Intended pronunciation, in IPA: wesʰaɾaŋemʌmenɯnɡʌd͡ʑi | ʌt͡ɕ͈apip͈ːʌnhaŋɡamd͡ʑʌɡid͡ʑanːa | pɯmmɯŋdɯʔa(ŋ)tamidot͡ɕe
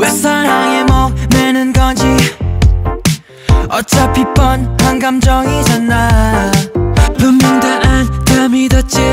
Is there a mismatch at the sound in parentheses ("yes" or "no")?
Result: yes